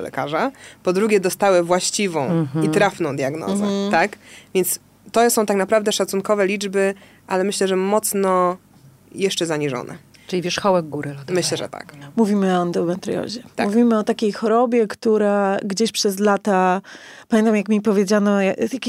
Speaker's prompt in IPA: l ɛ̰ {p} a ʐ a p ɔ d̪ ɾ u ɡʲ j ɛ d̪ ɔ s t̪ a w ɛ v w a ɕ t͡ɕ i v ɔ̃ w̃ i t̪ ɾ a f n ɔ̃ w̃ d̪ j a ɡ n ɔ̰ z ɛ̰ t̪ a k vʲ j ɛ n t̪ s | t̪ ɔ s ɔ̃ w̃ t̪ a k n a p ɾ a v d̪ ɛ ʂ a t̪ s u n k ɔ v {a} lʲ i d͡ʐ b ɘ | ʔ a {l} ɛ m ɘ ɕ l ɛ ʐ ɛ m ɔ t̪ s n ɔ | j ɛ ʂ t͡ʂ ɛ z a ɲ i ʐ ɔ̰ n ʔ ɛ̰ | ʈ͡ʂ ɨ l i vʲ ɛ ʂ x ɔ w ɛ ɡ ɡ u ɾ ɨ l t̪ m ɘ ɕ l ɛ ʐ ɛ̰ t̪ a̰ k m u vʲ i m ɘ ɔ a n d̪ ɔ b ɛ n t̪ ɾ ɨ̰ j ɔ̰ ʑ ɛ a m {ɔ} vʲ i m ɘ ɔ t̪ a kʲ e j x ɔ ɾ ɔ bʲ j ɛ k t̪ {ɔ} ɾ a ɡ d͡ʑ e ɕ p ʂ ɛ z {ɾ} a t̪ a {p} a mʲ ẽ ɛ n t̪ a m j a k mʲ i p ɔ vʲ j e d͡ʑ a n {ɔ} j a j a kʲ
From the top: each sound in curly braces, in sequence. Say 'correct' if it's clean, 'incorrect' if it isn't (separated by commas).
incorrect, incorrect, correct, incorrect, incorrect, incorrect, correct, correct